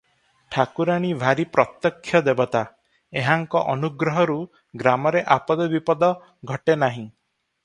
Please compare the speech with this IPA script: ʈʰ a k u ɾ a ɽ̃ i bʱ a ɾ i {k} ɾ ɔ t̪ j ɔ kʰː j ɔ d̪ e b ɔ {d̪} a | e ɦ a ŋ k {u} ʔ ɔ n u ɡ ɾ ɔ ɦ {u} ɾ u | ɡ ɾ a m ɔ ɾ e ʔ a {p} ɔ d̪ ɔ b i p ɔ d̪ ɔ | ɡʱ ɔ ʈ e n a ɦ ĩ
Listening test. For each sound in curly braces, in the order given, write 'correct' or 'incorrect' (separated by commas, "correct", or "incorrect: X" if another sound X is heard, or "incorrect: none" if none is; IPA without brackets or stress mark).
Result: incorrect: p, incorrect: t̪, incorrect: ɔ, incorrect: ɔ, correct